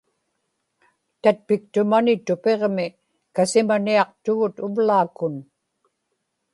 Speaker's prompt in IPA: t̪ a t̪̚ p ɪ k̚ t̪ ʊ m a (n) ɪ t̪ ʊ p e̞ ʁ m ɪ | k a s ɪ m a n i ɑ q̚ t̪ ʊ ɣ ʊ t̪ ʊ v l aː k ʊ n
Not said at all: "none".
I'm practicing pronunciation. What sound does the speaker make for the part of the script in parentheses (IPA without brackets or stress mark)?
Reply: n